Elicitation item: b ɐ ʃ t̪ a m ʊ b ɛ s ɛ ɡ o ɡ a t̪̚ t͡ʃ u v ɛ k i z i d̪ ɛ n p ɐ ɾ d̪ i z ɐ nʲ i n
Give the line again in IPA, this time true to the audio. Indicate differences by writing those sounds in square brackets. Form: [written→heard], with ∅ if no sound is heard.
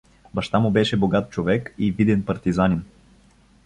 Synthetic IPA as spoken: b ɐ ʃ t̪ a m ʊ b ɛ [s→ʃ] ɛ [ɡ→b] o ɡ a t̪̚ t͡ʃ [u→o] v ɛ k i [z→v] i d̪ ɛ n p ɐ ɾ [d̪→t̪] i z [ɐ→a] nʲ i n